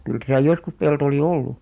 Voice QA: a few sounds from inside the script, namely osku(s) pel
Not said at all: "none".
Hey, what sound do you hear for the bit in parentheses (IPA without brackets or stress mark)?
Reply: s